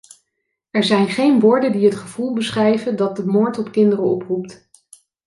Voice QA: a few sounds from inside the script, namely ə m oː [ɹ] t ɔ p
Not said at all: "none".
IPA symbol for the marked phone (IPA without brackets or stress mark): ɹ